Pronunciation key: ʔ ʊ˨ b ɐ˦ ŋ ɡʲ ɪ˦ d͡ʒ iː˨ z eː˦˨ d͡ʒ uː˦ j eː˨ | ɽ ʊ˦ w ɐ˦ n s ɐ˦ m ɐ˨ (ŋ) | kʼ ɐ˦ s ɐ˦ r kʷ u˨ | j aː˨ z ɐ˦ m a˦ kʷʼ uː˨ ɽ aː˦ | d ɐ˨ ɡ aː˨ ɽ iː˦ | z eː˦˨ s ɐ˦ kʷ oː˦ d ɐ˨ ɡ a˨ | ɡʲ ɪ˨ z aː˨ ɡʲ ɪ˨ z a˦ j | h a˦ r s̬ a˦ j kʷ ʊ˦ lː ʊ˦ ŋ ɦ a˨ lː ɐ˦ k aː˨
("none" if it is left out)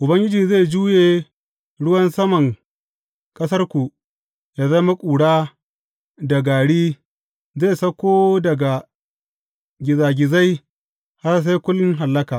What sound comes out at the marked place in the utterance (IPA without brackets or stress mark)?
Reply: ŋ